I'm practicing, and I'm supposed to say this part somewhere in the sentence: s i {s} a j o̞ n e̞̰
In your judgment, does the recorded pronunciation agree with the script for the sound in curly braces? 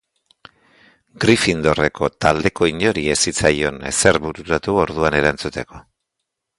no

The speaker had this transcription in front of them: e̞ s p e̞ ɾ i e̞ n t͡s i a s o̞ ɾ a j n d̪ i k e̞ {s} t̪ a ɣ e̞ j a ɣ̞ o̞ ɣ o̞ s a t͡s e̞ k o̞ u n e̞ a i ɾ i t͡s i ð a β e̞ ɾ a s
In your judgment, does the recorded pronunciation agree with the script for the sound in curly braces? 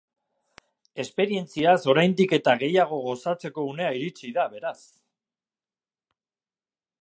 no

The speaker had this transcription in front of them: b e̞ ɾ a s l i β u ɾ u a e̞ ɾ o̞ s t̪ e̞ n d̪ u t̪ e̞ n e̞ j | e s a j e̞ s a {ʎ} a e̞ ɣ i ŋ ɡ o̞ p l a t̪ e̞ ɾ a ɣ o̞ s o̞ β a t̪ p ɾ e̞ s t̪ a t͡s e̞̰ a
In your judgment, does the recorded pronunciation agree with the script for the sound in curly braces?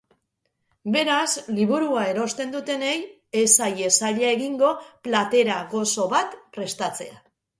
yes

